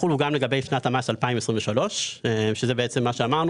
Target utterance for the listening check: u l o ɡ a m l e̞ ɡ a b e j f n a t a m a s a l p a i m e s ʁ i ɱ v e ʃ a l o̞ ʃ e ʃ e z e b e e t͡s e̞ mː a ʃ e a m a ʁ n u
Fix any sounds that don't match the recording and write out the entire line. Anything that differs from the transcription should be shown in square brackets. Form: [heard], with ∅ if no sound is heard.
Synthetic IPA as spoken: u l [u] ɡ a m l e̞ ɡ a b e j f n a t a m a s a l p a i m e s ʁ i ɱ v e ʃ a l o̞ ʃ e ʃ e z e b e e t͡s e̞ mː a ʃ e a m a ʁ n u